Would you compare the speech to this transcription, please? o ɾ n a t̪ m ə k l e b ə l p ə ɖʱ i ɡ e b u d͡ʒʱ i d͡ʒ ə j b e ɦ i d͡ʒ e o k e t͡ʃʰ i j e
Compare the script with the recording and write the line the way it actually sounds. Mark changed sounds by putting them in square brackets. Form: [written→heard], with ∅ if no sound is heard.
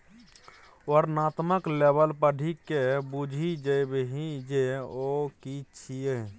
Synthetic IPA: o ɾ n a t̪ m ə k l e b ə l p ə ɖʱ i [ɡ→k] e b u d͡ʒʱ i d͡ʒ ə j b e ɦ i d͡ʒ e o k [e→i] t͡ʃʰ i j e